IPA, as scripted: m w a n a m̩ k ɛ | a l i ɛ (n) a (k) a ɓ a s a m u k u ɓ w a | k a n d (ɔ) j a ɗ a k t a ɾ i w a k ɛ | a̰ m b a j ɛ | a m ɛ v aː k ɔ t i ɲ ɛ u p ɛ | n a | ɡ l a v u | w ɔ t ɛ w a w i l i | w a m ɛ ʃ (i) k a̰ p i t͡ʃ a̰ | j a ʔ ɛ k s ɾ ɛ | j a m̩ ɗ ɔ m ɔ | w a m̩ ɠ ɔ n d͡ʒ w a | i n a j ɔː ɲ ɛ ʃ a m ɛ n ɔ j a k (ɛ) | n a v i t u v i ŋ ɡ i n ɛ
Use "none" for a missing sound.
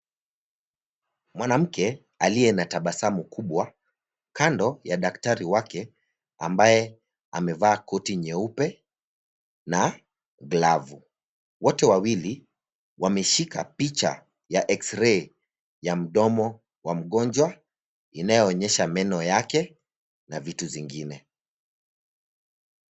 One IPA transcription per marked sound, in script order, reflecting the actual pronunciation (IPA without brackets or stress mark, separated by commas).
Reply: n, t, ɔ, i, ɛ